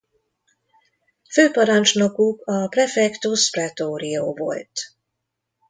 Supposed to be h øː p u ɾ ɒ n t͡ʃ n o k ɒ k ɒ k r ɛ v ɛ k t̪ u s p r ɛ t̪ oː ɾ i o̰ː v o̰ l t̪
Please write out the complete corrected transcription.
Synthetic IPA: f øː p ɒ ɾ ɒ n t͡ʃ n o k u k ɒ p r ɛ f ɛ k t̪ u s p r ɛ t̪ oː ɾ i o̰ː v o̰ l t̪